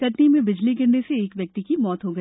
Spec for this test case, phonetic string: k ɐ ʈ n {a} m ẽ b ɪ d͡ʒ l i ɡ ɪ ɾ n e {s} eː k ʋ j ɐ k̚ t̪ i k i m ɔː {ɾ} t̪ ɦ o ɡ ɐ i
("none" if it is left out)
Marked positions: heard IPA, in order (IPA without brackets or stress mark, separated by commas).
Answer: i, s, none